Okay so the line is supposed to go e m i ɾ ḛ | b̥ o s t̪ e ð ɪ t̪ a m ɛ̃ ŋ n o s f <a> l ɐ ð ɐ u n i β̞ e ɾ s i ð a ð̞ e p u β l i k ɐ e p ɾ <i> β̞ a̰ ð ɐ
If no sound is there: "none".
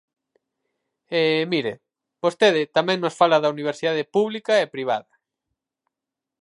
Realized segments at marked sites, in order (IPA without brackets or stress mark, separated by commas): a, i